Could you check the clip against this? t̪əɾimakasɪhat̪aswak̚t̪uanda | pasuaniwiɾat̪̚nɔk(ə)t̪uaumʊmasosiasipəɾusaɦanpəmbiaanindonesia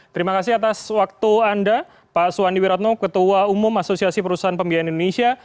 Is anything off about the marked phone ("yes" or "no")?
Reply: no